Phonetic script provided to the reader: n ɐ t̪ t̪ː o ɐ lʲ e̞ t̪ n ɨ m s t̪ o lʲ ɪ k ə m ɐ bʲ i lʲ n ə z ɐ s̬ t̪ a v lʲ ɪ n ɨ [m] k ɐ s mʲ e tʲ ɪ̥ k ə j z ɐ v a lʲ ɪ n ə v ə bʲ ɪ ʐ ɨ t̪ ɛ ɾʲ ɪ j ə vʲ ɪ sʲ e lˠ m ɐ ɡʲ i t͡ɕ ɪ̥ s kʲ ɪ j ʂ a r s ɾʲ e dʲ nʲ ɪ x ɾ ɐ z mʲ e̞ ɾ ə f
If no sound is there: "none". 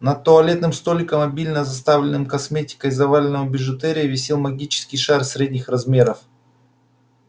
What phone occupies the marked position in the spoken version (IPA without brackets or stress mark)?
m